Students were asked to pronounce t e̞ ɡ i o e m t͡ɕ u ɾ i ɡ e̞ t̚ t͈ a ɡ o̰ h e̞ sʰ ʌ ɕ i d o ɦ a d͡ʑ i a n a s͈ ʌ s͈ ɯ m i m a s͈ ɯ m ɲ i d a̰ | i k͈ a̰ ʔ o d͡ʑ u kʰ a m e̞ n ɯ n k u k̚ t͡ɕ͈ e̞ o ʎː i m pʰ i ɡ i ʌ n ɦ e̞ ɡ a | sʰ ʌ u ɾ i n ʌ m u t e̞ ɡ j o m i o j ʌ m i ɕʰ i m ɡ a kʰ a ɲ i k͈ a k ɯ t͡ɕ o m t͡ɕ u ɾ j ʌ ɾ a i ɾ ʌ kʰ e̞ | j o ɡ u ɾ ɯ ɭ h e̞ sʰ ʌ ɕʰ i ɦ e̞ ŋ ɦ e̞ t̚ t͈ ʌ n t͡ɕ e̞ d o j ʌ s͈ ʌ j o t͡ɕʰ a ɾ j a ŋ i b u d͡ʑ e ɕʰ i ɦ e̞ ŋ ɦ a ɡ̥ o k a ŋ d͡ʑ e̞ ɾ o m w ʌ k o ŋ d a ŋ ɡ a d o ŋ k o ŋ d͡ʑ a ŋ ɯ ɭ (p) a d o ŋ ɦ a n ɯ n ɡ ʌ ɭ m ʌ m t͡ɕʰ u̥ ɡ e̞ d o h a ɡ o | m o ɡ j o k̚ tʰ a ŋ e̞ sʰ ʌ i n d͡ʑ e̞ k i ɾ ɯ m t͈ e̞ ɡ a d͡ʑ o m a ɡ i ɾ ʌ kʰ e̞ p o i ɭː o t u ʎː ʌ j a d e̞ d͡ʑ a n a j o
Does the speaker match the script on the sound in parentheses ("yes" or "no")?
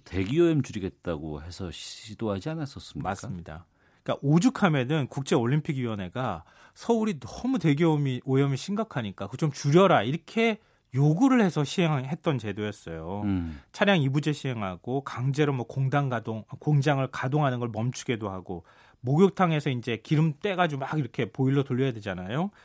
no